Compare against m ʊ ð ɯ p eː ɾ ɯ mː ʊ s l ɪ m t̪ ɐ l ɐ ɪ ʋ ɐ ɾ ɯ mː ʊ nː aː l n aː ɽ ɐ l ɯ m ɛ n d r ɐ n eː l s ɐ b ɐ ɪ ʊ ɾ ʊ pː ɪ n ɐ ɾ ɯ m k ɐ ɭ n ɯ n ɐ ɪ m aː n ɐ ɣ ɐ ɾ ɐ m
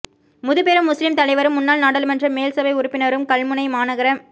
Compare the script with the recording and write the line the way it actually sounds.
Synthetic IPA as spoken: m ʊ ð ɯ p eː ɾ ɯ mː ʊ s l ɪ m t̪ ɐ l ɐ ɪ ʋ ɐ ɾ ɯ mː ʊ nː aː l n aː ɽ ɐ l ɯ m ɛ n d r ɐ m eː l s ɐ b ɐ ɪ ʊ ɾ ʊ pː ɪ n ɐ ɾ ɯ m k ɐ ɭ m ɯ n ɐ ɪ m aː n ɐ ɣ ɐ ɾ ɐ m